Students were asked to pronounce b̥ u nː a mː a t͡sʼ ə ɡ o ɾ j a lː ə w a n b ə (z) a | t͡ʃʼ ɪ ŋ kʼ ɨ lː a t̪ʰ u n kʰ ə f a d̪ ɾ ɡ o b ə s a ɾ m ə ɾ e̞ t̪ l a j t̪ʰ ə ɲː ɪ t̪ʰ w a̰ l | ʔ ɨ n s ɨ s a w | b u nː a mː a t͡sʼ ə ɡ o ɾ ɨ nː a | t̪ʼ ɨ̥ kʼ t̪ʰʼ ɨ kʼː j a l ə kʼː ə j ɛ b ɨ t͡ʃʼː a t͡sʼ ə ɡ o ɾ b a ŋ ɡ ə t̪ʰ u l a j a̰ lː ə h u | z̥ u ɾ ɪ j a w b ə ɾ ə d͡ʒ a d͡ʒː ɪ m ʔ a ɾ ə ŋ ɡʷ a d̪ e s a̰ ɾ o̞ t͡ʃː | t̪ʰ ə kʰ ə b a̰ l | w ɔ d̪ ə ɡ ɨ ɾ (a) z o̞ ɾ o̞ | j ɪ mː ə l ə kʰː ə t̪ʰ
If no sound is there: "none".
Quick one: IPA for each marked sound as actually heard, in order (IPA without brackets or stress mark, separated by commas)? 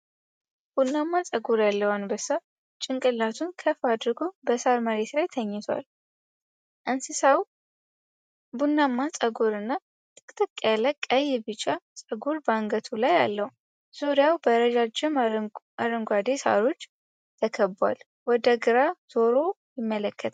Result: s, a